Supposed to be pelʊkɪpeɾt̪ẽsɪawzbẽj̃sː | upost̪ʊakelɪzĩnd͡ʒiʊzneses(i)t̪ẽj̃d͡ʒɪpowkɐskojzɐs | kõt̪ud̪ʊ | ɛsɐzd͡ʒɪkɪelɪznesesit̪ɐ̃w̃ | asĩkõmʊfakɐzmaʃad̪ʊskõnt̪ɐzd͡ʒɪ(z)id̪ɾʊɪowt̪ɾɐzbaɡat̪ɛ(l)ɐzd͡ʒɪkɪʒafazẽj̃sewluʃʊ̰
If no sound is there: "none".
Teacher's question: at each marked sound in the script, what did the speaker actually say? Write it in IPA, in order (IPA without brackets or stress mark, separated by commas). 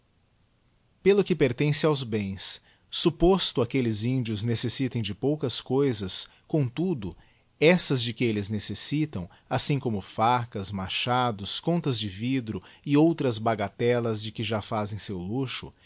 i, v, l